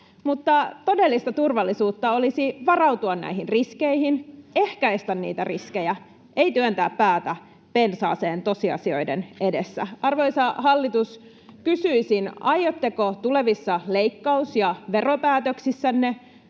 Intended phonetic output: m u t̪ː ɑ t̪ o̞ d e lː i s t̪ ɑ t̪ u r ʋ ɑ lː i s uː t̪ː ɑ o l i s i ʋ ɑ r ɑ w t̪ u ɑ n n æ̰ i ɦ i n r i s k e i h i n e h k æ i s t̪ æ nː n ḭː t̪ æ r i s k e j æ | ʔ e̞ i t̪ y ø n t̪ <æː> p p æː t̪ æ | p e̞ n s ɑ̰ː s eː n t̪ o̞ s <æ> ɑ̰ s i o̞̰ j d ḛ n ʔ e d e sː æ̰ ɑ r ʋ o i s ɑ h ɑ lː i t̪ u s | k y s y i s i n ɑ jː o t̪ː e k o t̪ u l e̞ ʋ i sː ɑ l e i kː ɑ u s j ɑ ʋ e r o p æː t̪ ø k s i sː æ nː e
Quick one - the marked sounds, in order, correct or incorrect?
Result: correct, incorrect: i

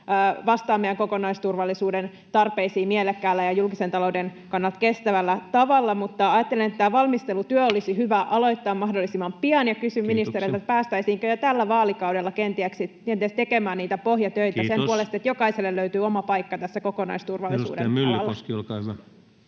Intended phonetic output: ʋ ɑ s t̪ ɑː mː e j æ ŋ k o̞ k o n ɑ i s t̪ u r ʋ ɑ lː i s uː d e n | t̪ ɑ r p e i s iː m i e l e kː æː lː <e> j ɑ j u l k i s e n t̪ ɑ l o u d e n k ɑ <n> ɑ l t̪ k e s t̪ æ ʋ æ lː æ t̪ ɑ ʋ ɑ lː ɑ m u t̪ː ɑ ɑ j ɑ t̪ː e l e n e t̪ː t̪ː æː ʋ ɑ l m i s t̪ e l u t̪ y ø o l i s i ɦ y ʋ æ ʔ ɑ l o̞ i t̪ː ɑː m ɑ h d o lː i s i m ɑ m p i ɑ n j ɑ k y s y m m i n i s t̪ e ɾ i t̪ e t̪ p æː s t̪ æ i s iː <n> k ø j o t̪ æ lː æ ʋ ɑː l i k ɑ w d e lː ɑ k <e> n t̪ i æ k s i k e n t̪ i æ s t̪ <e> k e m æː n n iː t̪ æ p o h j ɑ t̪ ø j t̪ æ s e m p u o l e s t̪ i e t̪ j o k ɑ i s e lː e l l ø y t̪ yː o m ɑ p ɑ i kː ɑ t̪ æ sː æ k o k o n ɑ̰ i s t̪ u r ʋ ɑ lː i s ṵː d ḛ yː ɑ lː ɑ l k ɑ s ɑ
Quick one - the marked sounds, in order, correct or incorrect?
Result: incorrect: æ, incorrect: nː, incorrect: ŋ, correct, correct

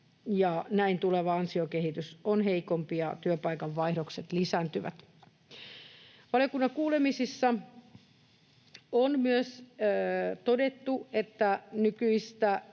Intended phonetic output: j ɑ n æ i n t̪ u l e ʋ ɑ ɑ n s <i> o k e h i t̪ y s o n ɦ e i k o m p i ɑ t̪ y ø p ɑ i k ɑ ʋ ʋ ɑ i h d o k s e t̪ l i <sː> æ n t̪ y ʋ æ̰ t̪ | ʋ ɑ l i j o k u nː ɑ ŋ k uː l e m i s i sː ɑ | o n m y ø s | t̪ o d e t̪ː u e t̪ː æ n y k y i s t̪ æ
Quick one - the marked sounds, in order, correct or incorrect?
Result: correct, incorrect: s

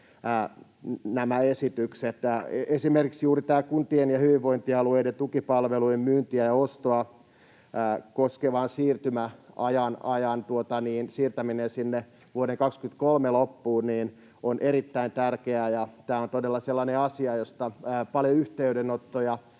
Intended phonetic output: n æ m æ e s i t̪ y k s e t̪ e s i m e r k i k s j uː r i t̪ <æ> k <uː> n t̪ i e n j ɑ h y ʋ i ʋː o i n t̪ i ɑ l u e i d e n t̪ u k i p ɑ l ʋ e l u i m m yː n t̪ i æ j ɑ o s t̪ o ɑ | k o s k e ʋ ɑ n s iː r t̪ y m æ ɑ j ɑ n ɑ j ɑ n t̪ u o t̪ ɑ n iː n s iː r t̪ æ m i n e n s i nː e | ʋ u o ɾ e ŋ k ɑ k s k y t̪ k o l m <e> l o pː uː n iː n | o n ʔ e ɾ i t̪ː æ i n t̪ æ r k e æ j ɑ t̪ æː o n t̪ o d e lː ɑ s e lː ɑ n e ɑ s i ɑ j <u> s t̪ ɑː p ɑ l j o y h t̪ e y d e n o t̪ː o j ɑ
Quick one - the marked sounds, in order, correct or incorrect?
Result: incorrect: æː, incorrect: u, correct, incorrect: o

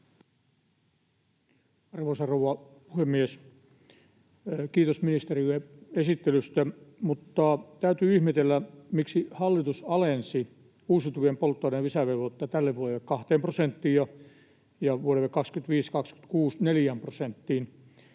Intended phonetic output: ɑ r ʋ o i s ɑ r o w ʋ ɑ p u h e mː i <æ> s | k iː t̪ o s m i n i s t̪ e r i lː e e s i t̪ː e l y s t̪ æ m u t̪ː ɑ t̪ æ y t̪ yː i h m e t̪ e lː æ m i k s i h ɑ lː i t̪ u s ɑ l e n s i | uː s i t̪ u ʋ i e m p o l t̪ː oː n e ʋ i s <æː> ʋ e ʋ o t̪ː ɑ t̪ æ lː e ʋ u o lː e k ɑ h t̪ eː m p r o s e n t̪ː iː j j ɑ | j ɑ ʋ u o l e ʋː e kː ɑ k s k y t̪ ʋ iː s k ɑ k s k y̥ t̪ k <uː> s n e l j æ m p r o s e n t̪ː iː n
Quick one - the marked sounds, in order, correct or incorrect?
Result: incorrect: e, incorrect: æ, correct

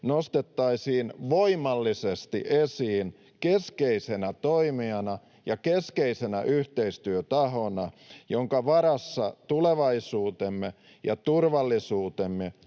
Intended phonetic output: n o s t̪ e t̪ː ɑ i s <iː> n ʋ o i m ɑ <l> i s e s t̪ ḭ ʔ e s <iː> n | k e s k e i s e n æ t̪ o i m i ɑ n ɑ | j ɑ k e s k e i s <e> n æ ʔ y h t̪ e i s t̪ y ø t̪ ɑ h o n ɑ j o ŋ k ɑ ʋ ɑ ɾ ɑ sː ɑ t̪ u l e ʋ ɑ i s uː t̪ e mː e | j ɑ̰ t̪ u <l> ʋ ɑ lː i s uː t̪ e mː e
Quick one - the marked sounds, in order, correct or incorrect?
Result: correct, incorrect: lː, correct, correct, incorrect: r

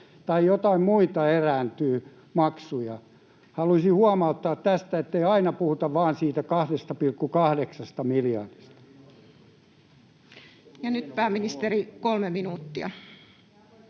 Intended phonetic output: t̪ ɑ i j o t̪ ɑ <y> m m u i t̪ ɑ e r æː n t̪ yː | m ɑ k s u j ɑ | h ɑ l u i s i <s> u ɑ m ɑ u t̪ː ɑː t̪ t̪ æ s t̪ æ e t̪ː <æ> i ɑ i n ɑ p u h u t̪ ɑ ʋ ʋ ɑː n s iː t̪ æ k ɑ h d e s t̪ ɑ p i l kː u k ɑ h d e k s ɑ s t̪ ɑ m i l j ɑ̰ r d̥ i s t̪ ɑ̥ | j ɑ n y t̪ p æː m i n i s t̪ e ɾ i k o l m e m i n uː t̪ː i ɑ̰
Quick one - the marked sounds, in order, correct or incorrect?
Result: incorrect: i, incorrect: h, incorrect: e

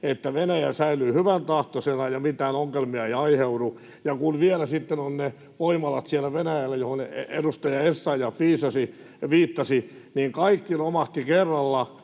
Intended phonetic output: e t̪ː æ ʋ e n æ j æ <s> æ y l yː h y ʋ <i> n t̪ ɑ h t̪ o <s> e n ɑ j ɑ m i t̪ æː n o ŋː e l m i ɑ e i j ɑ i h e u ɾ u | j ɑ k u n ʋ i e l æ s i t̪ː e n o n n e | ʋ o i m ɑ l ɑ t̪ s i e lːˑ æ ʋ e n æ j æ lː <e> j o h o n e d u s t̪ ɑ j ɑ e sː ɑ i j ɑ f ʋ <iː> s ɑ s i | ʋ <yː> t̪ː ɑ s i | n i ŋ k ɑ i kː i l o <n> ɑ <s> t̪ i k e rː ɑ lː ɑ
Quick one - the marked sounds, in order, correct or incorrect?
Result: correct, incorrect: æ, correct, incorrect: æ, correct, incorrect: iː, incorrect: m, incorrect: h

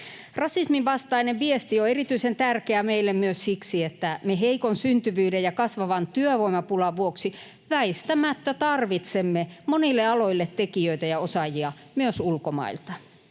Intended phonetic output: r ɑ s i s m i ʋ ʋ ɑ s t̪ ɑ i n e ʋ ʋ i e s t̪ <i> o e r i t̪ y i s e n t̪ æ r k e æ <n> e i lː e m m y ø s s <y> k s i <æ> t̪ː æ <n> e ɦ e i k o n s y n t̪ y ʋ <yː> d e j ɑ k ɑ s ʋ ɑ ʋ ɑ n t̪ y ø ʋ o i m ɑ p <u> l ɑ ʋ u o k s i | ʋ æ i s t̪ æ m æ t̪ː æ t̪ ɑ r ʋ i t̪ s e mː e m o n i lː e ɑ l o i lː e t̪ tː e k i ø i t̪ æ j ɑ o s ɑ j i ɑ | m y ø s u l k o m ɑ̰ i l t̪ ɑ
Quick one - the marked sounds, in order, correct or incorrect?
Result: correct, incorrect: m, incorrect: i, incorrect: e, incorrect: m, correct, correct

